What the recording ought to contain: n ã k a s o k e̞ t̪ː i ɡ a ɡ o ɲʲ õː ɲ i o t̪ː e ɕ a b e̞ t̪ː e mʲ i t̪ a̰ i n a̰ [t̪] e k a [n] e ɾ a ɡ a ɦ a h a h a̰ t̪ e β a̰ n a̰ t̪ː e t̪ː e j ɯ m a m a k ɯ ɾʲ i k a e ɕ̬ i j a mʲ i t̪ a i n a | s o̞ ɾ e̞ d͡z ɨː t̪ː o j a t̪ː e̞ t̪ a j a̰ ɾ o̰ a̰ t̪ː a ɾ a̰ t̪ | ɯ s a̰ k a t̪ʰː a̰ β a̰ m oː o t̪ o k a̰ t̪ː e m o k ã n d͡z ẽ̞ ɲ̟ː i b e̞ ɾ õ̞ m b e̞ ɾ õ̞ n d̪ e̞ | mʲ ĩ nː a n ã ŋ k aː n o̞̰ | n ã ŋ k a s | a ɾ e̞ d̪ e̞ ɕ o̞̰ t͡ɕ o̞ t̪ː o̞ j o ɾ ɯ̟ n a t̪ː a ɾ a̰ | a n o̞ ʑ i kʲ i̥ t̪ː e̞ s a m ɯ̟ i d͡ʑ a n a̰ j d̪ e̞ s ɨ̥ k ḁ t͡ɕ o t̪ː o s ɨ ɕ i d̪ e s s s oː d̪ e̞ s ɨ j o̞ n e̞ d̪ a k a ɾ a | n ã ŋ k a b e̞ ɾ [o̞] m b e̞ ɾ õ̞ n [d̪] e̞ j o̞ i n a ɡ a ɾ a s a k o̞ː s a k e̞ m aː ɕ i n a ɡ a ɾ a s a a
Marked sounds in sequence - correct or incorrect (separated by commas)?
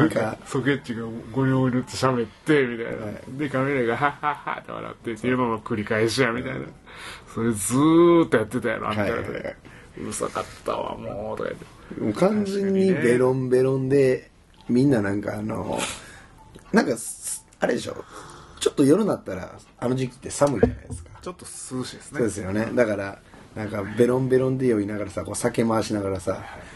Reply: incorrect, incorrect, incorrect, correct